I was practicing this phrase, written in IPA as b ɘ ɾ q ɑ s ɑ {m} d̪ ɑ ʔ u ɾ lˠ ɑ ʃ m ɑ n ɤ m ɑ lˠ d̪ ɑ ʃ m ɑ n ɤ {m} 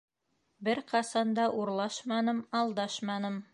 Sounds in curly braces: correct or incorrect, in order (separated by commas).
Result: incorrect, correct